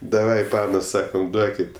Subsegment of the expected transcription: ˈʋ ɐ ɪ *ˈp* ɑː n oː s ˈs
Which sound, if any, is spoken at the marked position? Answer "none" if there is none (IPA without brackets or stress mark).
p